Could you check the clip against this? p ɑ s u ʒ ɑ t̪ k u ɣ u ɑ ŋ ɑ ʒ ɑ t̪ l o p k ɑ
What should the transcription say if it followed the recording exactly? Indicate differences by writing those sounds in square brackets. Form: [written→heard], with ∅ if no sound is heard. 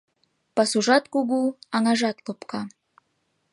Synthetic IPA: p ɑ s u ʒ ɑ t̪ k u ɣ u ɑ ŋ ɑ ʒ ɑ t̪ l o p k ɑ